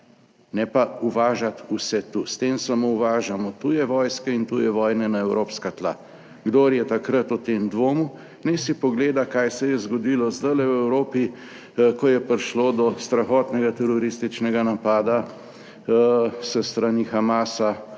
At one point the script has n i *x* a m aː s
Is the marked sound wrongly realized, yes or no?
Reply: no